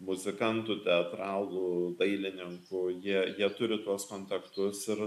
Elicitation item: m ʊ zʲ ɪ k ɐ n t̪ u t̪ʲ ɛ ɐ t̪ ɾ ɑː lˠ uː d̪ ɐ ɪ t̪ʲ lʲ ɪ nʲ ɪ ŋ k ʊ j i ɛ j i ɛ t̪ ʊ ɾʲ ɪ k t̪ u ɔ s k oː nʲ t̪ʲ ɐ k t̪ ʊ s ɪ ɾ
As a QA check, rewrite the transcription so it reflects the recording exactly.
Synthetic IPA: m ʊ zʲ ɪ k ɐ n t̪ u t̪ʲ ɛ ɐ t̪ ɾ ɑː lˠ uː d̪ ɐ ɪ lʲ ɪ nʲ ɪ ŋ k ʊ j i ɛ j i ɛ t̪ ʊ ɾʲ ɪ t̪ u ɔ s k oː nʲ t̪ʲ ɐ k t̪ ʊ s ɪ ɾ